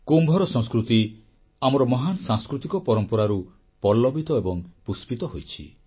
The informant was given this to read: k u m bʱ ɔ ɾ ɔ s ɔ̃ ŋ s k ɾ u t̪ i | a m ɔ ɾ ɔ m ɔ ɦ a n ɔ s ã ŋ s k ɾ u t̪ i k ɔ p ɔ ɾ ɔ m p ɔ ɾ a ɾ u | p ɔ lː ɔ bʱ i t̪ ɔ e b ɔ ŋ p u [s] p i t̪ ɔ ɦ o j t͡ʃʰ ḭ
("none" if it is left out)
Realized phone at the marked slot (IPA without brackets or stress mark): s